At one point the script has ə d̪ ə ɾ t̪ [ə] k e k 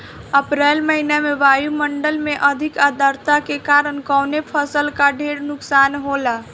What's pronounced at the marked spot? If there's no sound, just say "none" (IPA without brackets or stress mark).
a